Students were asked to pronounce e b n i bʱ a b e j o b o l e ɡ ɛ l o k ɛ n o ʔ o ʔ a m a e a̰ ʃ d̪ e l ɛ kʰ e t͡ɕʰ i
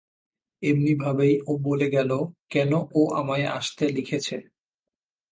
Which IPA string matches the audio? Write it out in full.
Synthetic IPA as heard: e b n i bʱ a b e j o b o l e ɡ ɛ l o k ɛ n o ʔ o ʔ a m a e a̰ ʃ t̪ e l i kʰ e t͡ɕʰ e